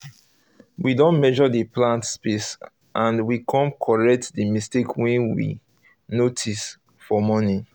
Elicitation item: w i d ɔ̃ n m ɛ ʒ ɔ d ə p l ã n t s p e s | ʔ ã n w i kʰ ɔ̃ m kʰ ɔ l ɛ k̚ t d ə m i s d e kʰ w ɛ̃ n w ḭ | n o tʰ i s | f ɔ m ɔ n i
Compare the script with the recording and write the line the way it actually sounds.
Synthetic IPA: w i d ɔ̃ n m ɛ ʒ ɔ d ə p l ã n t s p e s | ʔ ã n w i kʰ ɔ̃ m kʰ ɔ ɹ ɛ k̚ t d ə m i s t e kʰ w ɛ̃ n w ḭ | n o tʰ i s | f ɔ m ɔ n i